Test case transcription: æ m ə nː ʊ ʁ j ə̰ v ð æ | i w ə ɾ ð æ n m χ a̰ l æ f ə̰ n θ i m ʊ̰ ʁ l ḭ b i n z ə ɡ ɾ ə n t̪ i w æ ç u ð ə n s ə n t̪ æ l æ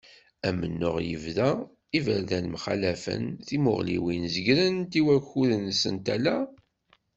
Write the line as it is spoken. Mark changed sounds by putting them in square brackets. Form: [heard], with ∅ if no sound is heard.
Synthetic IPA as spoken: æ m ə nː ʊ ʁ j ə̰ v ð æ | i [v] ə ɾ ð æ n m χ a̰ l æ f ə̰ n θ i m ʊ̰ ʁ l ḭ [w] i n z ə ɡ ɾ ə n t̪ i w æ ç u ð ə n s ə n t̪ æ l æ